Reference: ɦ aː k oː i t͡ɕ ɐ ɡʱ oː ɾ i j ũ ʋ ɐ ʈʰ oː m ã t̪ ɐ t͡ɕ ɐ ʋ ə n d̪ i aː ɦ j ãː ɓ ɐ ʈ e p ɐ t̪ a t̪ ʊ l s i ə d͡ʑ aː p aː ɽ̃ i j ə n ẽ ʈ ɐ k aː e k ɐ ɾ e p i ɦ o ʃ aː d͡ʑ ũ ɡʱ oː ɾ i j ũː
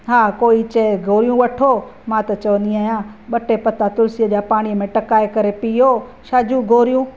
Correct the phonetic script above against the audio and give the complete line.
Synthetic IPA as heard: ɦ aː k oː i t͡ɕ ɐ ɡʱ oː ɾ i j ũ ʋ ɐ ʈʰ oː m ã t̪ ɐ t͡ɕ ɐ ʋ ə n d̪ i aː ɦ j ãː ɓ ɐ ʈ e p ɐ t̪ a t̪ ʊ l s i ə d͡ʑ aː p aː ɽ̃ i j ə m ẽ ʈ ɐ k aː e k ɐ ɾ e p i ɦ o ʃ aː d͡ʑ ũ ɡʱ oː ɾ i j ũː